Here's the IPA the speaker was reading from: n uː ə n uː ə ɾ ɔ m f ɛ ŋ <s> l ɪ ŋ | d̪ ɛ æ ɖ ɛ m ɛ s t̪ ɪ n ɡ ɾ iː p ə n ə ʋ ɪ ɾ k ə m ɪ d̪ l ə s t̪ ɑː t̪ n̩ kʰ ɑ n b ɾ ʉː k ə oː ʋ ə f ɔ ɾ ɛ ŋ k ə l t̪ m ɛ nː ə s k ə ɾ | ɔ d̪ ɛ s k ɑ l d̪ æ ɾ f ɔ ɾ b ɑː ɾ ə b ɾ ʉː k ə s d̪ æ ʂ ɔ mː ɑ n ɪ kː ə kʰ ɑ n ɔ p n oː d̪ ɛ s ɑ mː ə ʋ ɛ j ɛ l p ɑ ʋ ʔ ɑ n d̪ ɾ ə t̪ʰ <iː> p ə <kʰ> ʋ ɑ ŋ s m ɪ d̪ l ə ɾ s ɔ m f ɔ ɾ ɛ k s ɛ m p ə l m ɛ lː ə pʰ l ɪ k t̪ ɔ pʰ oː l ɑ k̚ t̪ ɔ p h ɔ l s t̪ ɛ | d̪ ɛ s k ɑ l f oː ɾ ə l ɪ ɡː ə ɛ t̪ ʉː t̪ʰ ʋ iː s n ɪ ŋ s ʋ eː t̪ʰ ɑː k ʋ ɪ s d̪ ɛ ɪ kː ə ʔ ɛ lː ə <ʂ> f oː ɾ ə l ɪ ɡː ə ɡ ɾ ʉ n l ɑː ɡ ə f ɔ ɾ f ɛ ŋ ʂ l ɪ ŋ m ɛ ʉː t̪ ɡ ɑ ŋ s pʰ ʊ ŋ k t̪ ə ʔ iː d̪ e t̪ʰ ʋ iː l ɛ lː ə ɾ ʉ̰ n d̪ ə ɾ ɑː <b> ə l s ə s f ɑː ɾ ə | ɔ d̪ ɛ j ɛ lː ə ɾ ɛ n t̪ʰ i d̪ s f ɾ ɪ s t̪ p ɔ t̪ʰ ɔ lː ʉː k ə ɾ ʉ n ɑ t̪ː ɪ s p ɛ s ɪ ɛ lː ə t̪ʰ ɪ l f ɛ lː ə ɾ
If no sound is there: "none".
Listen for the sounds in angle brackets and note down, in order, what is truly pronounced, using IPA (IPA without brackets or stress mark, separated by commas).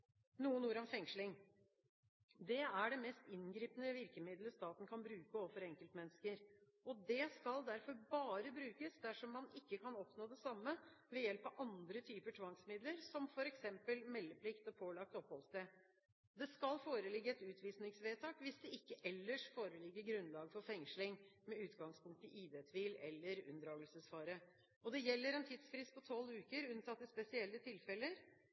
ʂ, yː, ʈʰ, ʂ, ɡ